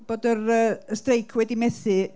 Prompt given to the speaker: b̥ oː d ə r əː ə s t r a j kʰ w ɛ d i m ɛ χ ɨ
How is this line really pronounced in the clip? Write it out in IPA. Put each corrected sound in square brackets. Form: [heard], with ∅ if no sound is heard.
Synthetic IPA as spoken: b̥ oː d ə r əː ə s t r [e] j kʰ w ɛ d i m ɛ [θ] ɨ